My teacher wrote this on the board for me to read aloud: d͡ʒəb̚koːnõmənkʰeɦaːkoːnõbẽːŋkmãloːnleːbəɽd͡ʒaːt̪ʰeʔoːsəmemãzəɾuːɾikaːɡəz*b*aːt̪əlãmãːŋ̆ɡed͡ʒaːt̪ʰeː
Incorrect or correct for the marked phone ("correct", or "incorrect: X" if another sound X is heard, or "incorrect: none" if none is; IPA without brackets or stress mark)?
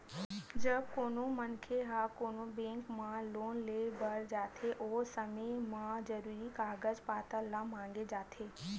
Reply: incorrect: p